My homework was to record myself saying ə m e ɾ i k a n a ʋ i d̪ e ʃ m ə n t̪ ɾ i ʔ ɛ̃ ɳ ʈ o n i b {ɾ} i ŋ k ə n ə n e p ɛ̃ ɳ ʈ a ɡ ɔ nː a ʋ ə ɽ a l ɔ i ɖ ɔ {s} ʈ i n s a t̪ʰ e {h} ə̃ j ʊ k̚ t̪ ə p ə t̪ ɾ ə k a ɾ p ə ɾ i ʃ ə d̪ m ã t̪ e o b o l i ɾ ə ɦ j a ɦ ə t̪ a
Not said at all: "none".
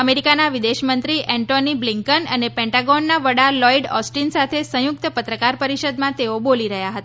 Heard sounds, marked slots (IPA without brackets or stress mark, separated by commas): l, s, s